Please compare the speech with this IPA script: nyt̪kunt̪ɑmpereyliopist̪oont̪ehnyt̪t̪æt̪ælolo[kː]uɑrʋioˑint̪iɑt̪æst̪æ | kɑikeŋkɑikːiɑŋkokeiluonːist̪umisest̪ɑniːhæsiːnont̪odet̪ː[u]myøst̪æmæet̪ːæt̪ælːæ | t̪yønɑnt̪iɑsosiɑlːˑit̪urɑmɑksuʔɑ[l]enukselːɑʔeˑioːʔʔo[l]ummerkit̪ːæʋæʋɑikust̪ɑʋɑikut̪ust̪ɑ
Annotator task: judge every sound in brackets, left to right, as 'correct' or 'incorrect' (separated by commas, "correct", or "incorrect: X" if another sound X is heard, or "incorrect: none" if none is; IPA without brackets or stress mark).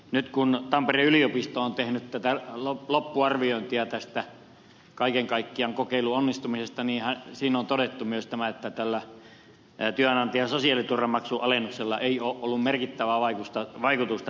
incorrect: pː, correct, correct, incorrect: lː